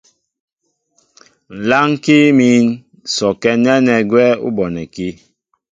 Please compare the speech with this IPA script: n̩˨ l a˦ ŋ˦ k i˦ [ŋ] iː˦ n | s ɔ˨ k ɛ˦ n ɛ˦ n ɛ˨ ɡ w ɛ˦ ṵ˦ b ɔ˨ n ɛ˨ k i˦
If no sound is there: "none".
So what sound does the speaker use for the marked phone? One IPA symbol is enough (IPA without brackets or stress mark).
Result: m